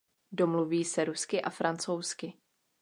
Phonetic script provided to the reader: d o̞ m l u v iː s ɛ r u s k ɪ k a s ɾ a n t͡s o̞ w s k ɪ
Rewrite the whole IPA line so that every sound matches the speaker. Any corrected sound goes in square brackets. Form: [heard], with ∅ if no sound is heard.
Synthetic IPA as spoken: d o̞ m l u v iː s ɛ [ɾ] u s k ɪ [ʔ] a [f] ɾ a n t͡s o̞ w s k ɪ